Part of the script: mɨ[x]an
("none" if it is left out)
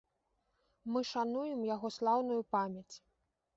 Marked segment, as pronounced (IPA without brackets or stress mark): ʂ